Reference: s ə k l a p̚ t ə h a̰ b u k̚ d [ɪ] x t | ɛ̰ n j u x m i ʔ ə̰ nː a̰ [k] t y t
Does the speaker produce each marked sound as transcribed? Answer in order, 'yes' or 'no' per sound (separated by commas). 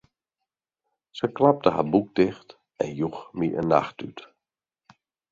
yes, no